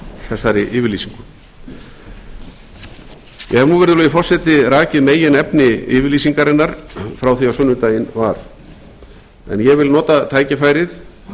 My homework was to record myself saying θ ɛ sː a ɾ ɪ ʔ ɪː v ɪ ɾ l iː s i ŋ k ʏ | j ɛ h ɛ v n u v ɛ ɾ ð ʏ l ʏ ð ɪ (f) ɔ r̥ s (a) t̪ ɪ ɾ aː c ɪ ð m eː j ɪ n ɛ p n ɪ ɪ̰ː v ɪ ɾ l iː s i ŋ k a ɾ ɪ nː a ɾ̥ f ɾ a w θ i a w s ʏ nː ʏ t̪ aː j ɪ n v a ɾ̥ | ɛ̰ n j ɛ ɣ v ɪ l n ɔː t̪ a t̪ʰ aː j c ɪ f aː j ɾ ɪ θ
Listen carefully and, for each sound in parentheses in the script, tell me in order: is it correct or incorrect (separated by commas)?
correct, incorrect